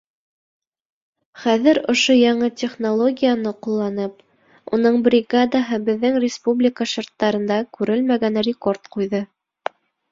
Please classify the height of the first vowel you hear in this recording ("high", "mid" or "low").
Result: low